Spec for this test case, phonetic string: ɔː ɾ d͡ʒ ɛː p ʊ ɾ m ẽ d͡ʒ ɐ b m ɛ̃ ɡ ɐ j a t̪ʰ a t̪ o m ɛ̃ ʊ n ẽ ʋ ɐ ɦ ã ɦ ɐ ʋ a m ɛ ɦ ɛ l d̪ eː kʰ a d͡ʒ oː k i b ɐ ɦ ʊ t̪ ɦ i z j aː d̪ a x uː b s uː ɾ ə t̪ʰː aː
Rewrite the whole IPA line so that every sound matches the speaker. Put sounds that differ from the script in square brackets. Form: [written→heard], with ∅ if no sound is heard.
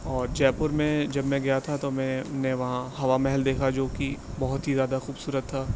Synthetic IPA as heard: ɔː ɾ d͡ʒ ɛː p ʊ ɾ m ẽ d͡ʒ ɐ b m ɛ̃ ɡ ɐ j a t̪ʰ a t̪ o m ɛ̃ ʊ n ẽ ʋ ɐ ɦ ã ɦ ɐ ʋ a m ɛ ɦ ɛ l d̪ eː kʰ a d͡ʒ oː k i b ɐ ɦ ʊ t̪ ɦ i z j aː d̪ a x uː b s uː ɾ ə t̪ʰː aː